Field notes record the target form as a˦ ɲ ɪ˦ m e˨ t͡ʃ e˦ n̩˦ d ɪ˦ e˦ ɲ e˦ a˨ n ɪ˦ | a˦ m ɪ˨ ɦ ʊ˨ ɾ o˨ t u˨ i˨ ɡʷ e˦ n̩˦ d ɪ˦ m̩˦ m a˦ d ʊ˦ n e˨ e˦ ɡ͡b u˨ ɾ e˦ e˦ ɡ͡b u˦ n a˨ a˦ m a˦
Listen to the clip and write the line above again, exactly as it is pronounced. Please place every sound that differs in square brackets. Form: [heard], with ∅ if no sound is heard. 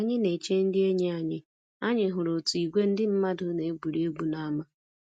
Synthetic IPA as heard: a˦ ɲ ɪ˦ [n] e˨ t͡ʃ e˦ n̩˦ d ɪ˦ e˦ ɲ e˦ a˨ [ɲ] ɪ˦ | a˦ [ɲ] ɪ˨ ɦ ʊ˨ ɾ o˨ t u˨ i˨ ɡʷ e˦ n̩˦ d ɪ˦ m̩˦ m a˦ d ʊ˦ n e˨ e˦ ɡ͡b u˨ ɾ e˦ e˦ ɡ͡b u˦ n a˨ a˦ m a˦